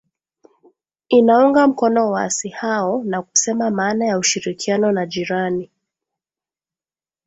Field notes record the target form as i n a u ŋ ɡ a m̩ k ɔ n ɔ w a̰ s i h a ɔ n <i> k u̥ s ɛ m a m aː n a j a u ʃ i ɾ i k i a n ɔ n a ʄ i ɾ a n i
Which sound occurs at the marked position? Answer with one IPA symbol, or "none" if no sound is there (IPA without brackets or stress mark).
a